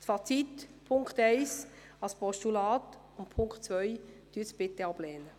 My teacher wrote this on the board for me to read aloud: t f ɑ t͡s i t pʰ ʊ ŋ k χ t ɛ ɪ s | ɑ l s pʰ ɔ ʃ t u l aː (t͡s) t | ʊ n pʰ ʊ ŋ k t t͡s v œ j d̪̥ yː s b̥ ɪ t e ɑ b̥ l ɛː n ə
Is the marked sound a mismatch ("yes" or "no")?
yes